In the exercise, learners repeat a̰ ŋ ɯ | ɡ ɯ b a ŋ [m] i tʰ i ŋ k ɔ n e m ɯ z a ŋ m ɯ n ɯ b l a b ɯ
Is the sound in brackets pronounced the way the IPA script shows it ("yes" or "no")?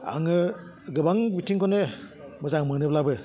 no